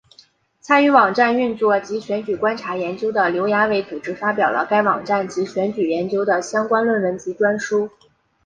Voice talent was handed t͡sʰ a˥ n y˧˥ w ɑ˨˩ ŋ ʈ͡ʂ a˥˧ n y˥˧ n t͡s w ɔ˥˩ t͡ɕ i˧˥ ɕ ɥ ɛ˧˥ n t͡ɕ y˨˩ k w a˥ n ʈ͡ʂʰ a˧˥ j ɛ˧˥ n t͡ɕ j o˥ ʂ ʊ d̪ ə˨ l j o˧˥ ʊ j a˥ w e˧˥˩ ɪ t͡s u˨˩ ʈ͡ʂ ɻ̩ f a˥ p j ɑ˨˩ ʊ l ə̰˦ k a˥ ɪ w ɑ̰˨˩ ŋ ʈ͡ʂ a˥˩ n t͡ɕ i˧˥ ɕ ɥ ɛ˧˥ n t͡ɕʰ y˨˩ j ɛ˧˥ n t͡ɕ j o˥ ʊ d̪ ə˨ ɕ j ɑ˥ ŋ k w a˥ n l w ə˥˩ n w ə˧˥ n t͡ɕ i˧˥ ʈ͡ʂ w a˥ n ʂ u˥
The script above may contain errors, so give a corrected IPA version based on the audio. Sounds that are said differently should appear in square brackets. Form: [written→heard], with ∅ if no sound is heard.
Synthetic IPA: t͡sʰ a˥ n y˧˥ w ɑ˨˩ ŋ ʈ͡ʂ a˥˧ n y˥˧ n t͡s w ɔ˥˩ t͡ɕ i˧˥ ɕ ɥ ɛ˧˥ n t͡ɕ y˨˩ k w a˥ n ʈ͡ʂʰ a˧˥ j ɛ˧˥ n t͡ɕ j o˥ [ʂ→∅] ʊ d̪ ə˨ l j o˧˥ ʊ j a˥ w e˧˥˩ ɪ t͡s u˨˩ ʈ͡ʂ ɻ̩ f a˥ p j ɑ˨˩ ʊ l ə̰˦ k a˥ ɪ w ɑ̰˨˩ ŋ ʈ͡ʂ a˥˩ n t͡ɕ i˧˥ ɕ ɥ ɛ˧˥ n [t͡ɕʰ→t͡ɕ] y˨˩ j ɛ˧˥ n t͡ɕ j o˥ ʊ d̪ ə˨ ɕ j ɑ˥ ŋ k w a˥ n l w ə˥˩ n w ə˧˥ n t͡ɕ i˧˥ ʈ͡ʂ w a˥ n ʂ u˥